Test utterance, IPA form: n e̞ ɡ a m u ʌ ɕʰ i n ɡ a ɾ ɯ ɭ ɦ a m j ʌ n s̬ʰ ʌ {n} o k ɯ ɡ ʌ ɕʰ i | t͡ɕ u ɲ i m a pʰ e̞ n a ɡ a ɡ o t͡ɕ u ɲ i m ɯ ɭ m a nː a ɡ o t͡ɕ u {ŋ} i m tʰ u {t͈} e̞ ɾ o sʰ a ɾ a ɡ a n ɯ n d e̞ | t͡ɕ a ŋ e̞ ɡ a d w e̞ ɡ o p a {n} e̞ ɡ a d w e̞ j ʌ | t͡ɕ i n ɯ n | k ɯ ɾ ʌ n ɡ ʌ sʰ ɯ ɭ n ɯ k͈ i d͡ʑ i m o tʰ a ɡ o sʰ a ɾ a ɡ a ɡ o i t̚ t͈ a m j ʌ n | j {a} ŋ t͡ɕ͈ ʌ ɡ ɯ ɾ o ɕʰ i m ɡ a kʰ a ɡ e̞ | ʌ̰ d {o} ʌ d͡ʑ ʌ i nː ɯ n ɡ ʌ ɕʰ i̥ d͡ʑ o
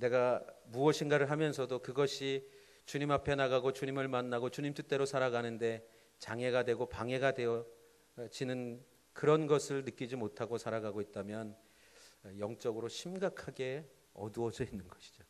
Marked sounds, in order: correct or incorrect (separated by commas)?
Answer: incorrect, incorrect, correct, incorrect, incorrect, incorrect